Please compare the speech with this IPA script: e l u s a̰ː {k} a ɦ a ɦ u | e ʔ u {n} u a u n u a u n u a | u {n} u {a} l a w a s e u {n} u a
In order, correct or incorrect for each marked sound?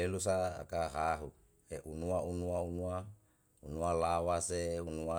correct, correct, correct, correct, correct

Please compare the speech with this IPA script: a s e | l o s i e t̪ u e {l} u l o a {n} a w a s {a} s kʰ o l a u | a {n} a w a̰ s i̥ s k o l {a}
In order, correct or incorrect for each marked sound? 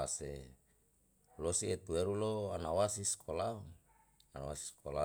incorrect: ɾ, correct, incorrect: i, correct, correct

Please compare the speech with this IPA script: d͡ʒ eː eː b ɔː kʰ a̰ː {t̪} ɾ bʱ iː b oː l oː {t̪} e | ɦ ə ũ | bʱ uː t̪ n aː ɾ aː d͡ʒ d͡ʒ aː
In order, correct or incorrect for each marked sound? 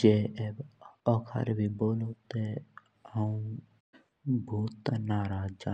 incorrect: none, correct

